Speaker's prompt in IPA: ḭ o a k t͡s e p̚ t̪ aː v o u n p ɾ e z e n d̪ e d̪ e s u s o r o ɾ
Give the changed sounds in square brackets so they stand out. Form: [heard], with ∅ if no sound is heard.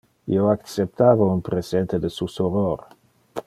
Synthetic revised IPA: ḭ o a k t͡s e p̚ t̪ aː v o u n p ɾ e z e n [t̪] e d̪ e s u s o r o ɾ